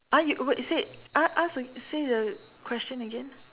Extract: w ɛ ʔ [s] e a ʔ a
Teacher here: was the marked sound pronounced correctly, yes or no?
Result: yes